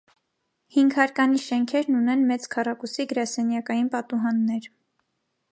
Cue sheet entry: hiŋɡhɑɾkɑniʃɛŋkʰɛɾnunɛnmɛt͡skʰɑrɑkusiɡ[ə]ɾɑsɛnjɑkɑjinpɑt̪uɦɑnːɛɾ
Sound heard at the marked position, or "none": ə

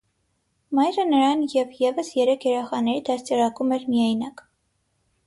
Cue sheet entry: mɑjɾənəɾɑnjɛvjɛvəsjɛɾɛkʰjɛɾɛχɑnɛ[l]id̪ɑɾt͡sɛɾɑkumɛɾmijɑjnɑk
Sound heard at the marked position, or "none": ɾ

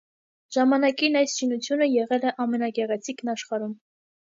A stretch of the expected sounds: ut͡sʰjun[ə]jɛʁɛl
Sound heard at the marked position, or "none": ə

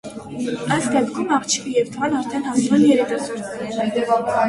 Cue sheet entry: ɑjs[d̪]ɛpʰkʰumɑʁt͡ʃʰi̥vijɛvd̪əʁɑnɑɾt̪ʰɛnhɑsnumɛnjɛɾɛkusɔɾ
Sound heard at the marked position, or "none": d̪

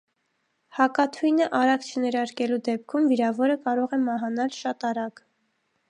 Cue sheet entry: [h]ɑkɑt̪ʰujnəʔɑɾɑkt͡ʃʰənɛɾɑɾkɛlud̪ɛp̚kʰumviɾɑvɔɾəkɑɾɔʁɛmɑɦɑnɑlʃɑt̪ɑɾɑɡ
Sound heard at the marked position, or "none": h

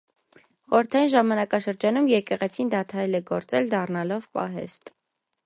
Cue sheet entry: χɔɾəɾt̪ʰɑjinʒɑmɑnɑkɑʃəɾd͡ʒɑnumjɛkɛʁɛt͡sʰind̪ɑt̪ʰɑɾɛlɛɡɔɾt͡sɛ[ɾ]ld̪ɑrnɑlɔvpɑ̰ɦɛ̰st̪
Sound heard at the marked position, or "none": none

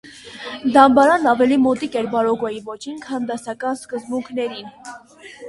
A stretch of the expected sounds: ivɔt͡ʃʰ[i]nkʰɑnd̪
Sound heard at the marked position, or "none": i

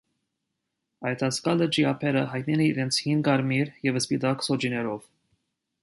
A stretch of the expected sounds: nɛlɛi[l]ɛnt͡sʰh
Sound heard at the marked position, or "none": ɾ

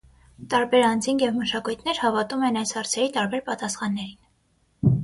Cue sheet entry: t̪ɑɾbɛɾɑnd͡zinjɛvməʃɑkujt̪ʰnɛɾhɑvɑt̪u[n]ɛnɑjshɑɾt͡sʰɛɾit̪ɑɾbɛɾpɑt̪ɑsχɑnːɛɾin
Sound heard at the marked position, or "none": m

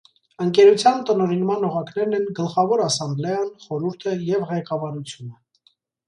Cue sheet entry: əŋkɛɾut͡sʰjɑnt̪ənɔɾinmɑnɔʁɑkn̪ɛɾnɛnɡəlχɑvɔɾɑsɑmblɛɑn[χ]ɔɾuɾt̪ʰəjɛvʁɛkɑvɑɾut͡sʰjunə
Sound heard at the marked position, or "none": χ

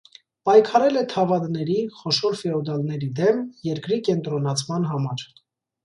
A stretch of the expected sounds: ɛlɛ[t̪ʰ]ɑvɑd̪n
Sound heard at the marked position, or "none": t̪ʰ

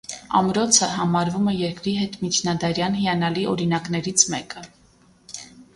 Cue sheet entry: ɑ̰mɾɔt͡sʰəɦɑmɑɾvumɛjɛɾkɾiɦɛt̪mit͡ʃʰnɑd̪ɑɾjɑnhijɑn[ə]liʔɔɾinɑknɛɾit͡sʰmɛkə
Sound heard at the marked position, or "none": ɑ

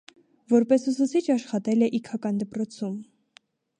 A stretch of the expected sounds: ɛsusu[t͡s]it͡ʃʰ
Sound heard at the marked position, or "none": t͡sʰ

